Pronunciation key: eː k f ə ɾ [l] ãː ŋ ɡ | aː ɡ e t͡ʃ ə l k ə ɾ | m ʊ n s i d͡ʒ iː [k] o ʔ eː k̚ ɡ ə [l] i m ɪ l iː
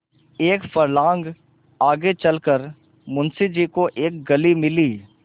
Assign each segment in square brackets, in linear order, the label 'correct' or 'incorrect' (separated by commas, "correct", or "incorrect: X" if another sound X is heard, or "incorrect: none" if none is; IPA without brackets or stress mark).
correct, correct, correct